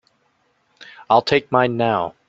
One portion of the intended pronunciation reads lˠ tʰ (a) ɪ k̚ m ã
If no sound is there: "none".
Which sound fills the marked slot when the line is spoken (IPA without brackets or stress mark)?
e